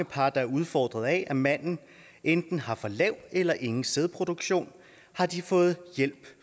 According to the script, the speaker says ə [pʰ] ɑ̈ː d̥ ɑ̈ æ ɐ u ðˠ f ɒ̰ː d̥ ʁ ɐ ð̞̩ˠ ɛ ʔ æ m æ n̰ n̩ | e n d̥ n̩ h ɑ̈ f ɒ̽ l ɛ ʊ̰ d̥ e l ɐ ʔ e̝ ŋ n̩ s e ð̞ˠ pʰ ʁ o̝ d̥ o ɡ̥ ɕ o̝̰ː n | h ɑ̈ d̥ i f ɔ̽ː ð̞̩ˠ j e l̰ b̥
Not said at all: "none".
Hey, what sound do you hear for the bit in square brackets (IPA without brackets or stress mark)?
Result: pʰ